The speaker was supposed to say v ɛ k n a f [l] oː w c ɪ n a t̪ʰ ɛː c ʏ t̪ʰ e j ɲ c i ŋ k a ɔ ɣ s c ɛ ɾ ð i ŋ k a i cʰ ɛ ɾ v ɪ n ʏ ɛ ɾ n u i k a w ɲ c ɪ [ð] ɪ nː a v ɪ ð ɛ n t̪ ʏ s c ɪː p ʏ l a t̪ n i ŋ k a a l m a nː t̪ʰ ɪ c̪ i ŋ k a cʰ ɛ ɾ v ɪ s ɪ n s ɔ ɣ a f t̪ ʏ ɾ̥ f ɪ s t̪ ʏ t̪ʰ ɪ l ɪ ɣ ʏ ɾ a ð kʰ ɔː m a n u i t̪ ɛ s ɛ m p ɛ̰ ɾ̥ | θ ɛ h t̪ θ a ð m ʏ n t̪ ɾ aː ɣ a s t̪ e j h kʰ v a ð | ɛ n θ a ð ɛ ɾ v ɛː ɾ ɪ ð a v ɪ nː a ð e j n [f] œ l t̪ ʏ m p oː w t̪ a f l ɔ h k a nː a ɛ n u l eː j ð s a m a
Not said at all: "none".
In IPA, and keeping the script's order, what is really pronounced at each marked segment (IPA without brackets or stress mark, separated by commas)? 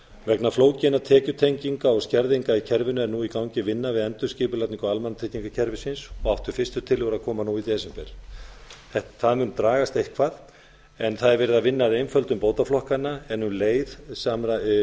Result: l, v, f